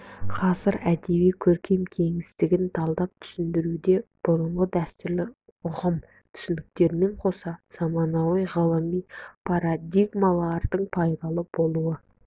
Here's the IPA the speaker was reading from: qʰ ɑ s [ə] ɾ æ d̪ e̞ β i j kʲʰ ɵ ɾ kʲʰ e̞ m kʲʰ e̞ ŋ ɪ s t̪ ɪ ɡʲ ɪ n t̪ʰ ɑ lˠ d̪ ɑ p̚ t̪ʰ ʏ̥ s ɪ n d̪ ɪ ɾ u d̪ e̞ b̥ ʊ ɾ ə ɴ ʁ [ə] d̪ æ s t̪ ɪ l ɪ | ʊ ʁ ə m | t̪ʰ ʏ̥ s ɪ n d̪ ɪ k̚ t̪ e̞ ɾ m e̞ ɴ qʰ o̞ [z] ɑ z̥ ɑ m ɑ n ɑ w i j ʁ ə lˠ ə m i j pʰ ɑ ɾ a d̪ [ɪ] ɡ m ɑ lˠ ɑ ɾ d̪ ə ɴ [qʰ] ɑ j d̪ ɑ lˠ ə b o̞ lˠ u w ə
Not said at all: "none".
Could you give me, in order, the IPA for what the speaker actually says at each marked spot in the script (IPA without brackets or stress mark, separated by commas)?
ə, ə, s, i, pʰ